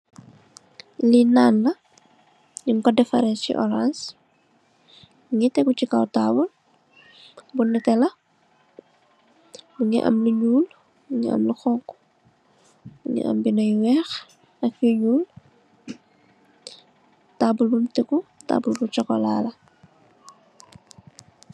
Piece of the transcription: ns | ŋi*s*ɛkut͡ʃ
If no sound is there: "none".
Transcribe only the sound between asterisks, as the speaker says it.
t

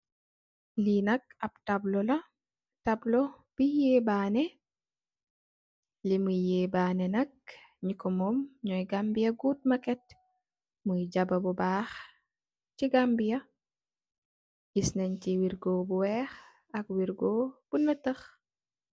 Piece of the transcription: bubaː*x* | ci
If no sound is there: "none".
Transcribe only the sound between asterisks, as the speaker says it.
x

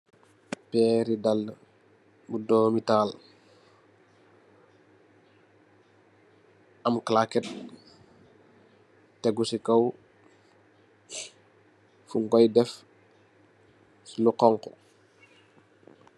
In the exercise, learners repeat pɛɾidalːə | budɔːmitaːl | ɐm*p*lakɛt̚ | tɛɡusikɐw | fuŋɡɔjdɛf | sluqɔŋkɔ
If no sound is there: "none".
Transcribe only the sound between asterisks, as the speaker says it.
k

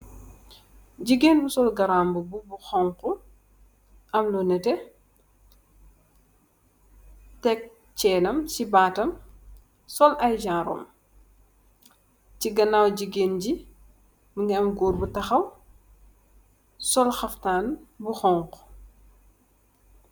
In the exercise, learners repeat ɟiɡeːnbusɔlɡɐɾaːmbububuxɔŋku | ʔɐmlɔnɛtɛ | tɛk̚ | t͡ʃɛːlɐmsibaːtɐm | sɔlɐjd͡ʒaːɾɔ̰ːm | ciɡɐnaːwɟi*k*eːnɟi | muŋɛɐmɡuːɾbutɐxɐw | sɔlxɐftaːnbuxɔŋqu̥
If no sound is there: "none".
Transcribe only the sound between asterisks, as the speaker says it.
ɡ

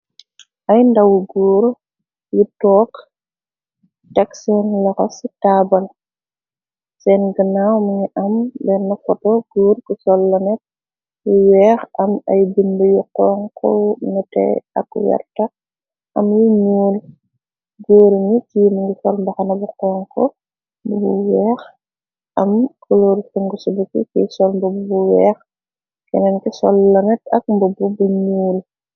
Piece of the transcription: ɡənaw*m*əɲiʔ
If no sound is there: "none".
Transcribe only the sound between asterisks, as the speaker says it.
m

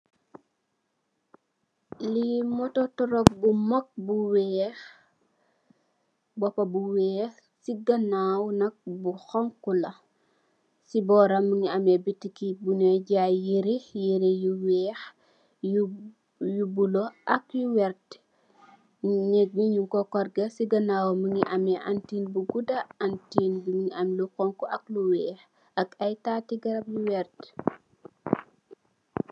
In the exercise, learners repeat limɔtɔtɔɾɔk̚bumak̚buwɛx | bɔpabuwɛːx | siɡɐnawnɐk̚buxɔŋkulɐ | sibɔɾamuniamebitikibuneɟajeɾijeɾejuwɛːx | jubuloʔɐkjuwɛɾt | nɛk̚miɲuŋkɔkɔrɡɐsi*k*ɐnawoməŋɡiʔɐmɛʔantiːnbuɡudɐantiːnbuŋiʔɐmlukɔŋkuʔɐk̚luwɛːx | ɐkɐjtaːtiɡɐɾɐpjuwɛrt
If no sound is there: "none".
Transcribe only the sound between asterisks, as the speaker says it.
ɡ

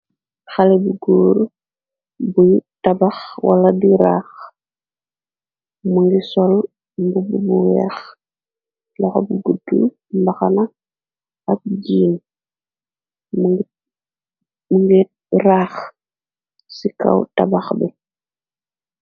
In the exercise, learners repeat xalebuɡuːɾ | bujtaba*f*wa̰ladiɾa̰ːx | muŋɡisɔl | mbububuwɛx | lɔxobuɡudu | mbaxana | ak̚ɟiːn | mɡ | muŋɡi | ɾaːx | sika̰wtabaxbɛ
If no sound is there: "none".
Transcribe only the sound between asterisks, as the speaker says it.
x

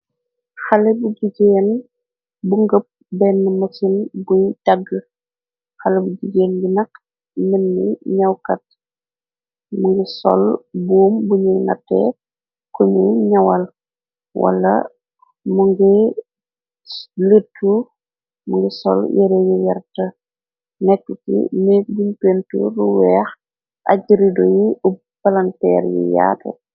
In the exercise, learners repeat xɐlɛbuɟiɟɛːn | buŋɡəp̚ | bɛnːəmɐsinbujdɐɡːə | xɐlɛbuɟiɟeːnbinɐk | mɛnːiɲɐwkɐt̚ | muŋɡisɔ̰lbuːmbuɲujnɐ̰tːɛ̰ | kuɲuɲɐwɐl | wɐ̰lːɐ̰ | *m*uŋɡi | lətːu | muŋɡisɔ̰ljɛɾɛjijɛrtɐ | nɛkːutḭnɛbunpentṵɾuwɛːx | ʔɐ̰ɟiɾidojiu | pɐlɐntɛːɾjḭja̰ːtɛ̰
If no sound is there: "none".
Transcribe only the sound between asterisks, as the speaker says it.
m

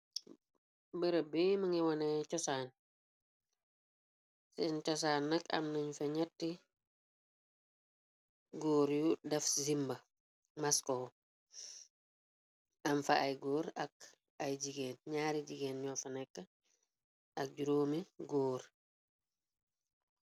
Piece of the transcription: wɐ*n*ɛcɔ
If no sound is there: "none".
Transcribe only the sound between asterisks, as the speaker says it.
n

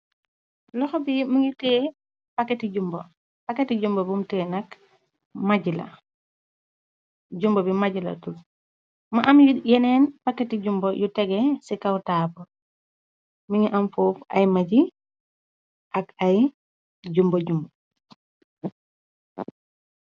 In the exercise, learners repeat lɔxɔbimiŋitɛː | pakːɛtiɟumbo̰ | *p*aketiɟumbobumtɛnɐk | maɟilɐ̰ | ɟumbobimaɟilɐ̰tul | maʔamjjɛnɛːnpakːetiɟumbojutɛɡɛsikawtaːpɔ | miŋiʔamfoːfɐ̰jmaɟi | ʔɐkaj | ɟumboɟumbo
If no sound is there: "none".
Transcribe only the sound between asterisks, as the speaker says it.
p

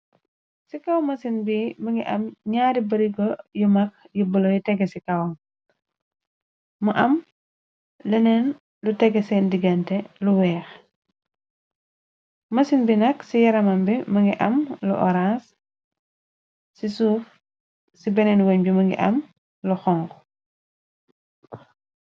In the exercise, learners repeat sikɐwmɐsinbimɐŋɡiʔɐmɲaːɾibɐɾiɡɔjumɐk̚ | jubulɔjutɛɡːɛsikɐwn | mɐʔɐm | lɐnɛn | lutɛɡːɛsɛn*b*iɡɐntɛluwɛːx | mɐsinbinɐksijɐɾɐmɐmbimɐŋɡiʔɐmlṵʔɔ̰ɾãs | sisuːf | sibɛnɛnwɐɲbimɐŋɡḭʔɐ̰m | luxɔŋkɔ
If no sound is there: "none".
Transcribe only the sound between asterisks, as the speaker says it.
d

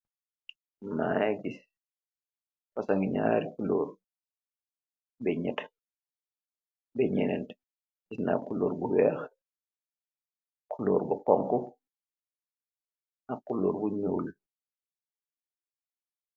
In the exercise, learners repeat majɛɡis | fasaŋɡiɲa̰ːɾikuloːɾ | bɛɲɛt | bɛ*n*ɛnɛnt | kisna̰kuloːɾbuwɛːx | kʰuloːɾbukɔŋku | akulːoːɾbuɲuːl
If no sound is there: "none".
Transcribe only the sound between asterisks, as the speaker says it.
ɲ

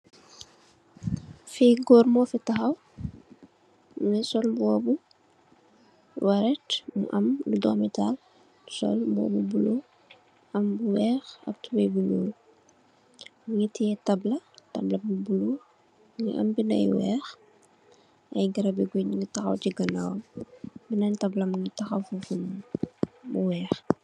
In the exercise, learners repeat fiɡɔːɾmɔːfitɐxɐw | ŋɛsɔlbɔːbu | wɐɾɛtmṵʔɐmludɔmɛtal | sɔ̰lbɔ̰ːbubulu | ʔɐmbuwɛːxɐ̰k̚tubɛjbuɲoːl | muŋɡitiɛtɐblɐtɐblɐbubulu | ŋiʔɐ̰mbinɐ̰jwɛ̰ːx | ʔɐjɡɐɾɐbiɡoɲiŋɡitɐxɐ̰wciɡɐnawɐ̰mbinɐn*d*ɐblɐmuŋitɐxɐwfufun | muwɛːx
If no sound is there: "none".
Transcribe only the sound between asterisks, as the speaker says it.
t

